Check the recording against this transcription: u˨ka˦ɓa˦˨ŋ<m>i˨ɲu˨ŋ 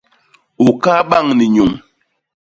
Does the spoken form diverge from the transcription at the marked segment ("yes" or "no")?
yes